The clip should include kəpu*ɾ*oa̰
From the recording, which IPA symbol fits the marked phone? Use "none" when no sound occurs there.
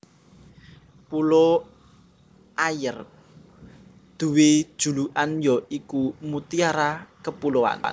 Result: l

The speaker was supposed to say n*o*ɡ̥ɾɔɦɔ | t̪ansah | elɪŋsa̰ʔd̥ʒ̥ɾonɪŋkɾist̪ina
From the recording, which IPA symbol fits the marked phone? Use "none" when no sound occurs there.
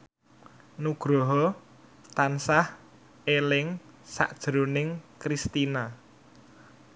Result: u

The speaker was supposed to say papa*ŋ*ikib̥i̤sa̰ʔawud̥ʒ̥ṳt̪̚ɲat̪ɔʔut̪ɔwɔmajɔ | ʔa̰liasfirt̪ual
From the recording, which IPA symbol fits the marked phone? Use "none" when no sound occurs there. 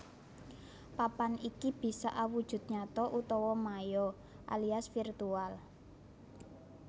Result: n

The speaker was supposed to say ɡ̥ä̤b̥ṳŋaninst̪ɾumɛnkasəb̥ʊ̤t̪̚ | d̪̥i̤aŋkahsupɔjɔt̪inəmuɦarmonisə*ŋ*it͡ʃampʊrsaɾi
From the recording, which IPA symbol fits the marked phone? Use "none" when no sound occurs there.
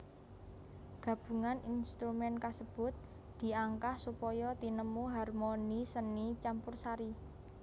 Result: n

